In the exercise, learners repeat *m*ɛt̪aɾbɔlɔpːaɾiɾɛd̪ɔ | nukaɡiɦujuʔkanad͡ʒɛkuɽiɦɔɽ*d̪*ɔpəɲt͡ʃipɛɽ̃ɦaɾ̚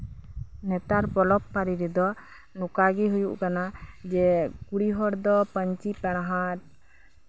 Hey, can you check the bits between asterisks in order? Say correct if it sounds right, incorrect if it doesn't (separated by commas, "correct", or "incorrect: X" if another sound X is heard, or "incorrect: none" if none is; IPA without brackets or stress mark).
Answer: incorrect: n, correct